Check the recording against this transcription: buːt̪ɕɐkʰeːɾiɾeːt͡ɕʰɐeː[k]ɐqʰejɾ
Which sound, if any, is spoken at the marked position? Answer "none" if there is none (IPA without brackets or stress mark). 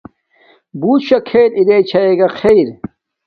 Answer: ɡ